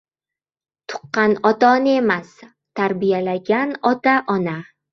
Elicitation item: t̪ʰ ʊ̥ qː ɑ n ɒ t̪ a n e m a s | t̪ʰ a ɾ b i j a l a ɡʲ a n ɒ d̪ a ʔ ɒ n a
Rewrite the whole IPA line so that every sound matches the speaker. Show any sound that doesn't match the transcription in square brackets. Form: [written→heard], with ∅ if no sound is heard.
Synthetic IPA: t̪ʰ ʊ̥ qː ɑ n ɒ t̪ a n e m a s | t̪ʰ a ɾ b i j a l a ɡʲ a n ɒ [d̪→t̪] a ʔ ɒ n a